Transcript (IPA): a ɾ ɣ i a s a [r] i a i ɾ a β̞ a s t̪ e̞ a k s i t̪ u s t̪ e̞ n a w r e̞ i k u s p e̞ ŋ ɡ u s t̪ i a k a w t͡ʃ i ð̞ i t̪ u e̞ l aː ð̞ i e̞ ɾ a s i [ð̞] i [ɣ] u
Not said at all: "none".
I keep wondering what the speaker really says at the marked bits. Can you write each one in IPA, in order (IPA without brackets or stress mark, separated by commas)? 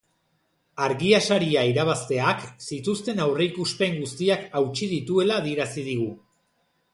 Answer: ɾ, ð̞, ɣ